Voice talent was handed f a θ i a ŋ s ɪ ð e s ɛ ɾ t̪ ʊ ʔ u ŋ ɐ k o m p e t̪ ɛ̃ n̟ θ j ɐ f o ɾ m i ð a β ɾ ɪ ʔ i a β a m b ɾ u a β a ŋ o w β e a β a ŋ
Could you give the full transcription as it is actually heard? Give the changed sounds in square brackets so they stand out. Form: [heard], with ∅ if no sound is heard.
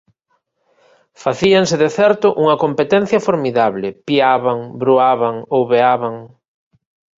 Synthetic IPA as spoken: f a θ i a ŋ s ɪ ð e [θ] ɛ ɾ t̪ ʊ ʔ u ŋ ɐ k o m p e t̪ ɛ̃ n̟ θ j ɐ f o ɾ m i ð a β [l] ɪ [p] i a β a [ŋ] b ɾ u a β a ŋ o w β e a β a ŋ